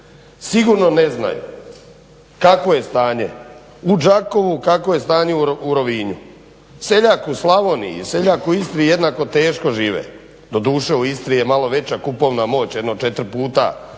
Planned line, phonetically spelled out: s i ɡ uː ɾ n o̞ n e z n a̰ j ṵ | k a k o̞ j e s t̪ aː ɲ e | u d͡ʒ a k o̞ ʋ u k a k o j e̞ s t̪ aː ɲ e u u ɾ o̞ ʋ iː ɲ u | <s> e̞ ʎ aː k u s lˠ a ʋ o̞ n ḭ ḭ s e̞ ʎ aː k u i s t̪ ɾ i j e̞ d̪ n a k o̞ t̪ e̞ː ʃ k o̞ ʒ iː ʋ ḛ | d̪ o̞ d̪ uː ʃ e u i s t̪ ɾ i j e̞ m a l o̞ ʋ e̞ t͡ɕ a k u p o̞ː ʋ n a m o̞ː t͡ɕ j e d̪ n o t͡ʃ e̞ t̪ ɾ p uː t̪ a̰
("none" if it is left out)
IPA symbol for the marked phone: s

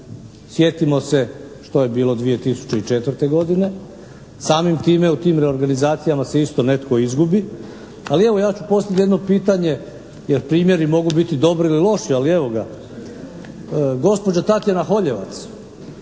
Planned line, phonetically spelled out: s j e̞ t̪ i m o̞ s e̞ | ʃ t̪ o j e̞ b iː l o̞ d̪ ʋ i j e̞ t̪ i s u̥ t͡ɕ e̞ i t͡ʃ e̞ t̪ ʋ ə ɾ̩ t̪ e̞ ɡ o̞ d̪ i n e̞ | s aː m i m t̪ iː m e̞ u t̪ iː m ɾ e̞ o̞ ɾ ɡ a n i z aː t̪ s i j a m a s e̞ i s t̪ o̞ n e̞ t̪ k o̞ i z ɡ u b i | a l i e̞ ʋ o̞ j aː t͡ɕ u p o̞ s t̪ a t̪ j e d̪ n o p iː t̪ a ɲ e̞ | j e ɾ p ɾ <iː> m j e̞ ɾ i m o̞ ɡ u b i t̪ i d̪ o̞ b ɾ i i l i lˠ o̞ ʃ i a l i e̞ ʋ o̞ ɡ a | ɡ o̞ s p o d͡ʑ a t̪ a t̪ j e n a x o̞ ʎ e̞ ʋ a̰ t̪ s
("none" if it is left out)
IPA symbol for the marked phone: iː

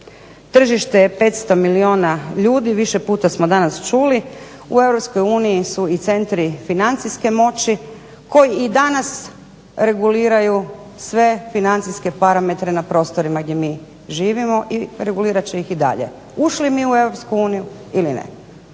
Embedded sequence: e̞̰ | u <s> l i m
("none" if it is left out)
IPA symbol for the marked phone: ʃ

